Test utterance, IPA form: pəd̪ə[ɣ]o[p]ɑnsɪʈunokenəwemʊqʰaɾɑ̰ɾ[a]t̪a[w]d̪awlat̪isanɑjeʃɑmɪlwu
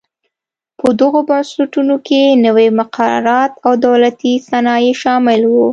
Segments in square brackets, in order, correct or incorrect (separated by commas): correct, incorrect, incorrect, correct